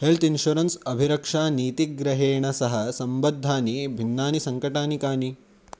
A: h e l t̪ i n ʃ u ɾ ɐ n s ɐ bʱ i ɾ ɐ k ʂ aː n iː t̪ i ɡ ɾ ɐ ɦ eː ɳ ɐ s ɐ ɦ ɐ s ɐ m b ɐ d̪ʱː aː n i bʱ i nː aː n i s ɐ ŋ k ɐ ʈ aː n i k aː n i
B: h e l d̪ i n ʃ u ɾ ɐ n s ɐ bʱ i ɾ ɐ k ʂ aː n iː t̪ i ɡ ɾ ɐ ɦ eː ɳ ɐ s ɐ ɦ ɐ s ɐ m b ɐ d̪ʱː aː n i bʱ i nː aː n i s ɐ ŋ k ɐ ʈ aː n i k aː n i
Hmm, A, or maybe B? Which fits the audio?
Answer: A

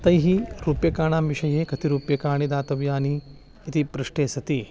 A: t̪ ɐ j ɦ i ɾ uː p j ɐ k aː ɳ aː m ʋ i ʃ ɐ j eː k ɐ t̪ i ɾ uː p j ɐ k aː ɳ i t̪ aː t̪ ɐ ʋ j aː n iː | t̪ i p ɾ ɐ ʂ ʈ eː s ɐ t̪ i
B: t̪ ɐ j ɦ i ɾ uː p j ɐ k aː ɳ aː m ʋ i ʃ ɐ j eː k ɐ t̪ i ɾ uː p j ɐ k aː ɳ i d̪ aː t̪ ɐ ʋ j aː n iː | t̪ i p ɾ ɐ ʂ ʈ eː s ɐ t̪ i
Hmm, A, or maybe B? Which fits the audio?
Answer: B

